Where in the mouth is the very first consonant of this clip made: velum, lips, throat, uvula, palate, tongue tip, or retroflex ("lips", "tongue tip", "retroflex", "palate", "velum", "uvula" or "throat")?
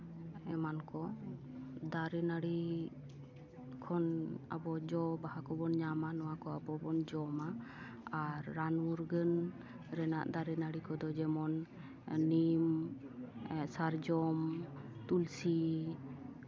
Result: lips